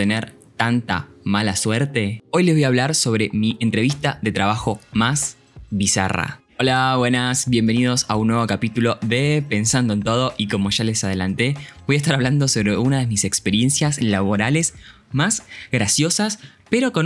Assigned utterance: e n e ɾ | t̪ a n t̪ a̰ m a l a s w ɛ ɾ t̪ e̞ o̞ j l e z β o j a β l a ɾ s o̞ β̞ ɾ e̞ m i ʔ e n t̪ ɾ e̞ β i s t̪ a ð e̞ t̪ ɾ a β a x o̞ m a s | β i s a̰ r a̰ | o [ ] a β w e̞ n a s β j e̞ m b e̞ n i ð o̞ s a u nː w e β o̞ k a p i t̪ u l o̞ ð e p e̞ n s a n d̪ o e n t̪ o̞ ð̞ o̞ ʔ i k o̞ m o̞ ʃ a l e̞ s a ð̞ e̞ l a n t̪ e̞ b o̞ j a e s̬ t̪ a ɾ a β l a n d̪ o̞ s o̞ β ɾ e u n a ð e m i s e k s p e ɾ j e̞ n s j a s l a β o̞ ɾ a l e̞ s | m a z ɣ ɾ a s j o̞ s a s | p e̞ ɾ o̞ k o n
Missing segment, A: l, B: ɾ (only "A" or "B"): A